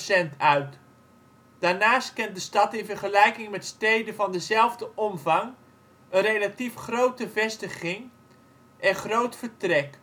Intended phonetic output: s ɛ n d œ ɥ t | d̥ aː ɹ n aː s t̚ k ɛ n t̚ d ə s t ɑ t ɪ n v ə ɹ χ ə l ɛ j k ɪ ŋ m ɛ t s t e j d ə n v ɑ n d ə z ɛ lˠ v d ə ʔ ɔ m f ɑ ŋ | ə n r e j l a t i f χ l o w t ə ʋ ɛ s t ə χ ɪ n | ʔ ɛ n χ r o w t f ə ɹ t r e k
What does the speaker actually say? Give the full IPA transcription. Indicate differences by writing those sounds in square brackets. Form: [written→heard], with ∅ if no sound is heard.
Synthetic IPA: s ɛ n [d→t] œ ɥ t | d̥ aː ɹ n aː s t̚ k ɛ n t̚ d ə s t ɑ t ɪ n v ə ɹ χ ə l ɛ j k ɪ ŋ m ɛ t s t e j d ə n v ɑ n d ə z ɛ lˠ v d ə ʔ ɔ m [f→v] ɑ ŋ | ə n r e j l a t i f χ [l→r] o w t ə [ʋ→v] ɛ s t ə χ ɪ [n→ŋ] | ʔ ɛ n χ r o w t f ə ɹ t r [e→ɛ] k